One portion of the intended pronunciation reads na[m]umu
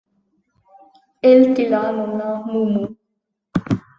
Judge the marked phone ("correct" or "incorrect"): correct